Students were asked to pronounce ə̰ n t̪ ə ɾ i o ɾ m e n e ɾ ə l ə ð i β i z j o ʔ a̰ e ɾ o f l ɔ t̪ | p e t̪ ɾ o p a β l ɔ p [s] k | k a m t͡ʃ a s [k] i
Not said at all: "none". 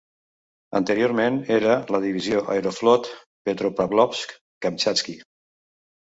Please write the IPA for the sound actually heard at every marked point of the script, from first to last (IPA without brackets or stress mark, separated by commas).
s, k